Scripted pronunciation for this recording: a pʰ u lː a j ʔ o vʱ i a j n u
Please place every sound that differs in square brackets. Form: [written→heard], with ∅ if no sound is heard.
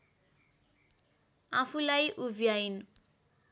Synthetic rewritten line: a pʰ u [lː→l] a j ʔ [o→u] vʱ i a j n u